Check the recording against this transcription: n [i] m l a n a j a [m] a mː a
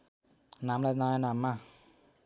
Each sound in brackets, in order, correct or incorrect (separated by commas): incorrect, incorrect